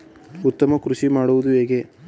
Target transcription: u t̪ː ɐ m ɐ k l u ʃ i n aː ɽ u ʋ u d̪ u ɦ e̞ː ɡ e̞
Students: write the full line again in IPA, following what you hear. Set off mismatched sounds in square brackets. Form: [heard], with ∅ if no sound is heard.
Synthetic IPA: u t̪ː ɐ m ɐ k [ɾ] u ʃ i [m] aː ɽ u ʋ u d̪ u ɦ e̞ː ɡ e̞